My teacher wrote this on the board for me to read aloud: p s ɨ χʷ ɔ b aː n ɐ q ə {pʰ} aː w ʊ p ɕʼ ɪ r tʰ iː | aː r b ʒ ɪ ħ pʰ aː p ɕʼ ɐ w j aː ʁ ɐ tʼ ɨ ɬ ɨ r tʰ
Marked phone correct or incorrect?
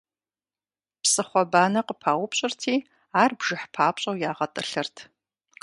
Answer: correct